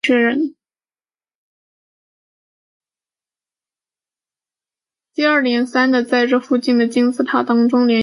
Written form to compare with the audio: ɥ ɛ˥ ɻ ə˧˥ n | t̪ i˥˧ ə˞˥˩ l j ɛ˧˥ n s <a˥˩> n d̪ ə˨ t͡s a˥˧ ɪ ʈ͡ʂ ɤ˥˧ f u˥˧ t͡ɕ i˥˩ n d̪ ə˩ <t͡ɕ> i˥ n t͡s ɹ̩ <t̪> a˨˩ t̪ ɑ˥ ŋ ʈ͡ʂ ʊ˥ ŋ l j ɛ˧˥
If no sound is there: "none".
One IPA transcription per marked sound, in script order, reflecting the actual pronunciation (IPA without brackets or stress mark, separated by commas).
a˥, t͡ɕ, t̪ʰ